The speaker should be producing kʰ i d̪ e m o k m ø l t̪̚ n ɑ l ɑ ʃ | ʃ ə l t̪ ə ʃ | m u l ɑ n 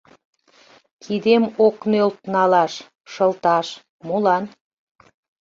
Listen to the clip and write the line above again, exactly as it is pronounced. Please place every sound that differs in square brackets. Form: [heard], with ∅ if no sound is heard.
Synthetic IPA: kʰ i d̪ e m o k [n] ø l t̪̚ n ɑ l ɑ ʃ | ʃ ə l t̪ [ɑ] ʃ | m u l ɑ n

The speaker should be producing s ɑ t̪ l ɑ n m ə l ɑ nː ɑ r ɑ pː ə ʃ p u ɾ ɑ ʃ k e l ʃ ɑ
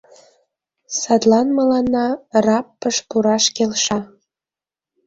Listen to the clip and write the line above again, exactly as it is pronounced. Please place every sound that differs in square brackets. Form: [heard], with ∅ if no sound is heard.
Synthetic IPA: s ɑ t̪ l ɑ n m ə l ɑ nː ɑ r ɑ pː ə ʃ p u ɾ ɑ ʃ k e l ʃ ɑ

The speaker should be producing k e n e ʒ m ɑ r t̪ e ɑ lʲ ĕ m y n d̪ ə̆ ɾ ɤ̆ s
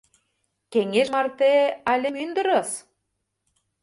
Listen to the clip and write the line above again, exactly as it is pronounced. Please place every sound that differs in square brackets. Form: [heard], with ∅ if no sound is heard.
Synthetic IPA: k e [ŋ] e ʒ m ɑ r t̪ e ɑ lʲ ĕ m y n d̪ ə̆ ɾ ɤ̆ s

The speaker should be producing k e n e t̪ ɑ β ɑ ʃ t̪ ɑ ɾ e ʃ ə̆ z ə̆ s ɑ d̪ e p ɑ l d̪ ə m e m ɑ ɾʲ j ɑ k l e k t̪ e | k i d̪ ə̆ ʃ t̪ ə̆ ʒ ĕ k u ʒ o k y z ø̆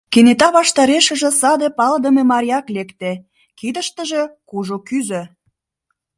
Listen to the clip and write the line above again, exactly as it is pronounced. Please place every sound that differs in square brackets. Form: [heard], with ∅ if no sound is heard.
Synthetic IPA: k e n e t̪ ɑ β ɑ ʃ t̪ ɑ ɾ e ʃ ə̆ [ʒ] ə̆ s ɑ d̪ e p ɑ l d̪ ə m e m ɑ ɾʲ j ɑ k l e k t̪ e | k i d̪ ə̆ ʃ t̪ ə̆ ʒ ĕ k u ʒ o k y z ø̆

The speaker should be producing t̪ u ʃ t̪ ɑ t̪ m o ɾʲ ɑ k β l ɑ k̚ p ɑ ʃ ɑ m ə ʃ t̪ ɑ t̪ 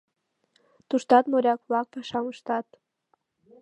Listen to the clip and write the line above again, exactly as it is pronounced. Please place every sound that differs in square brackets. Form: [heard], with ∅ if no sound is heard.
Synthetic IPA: t̪ u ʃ t̪ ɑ t̪ m o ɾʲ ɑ k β l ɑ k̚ p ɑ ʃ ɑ m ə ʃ t̪ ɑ t̪

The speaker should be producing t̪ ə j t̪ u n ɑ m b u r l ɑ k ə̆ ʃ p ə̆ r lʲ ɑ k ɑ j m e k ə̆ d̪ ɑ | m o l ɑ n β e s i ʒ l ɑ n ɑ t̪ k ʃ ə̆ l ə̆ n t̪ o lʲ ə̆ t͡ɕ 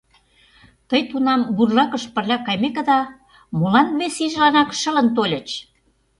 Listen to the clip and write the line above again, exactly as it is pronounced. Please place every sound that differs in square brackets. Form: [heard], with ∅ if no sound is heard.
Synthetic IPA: t̪ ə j t̪ u n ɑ m b u r l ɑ k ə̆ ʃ p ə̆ r lʲ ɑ k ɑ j m e k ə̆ d̪ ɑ | m o l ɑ n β e s i ʒ l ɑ n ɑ [∅] k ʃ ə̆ l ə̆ n t̪ o lʲ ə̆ t͡ɕ

